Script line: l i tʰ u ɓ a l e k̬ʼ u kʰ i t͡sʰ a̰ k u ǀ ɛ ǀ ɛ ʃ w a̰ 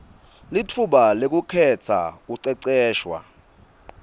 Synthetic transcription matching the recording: l i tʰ u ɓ a l e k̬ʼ u kʰ ɛ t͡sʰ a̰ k u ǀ ɛ ǀ ɛː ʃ w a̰